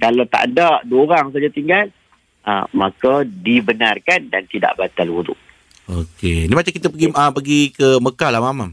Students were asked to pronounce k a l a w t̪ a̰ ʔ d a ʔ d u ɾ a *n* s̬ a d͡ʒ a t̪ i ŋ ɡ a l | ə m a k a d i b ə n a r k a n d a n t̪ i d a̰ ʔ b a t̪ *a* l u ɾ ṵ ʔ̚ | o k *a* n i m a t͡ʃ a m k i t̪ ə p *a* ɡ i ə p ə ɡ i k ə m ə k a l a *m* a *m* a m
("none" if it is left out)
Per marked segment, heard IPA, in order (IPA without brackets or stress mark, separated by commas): ŋ, a, e, ə, m, m